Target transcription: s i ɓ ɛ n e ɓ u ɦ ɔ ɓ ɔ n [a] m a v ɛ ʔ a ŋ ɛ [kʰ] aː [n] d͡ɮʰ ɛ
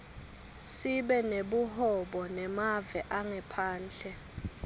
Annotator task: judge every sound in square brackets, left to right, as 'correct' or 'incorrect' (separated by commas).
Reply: incorrect, incorrect, correct